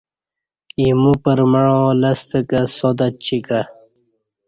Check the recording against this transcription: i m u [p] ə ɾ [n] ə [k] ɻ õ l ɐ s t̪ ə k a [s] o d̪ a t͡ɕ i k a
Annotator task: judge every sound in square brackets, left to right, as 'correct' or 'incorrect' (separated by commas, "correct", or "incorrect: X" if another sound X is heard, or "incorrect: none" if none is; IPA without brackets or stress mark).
correct, incorrect: m, incorrect: none, correct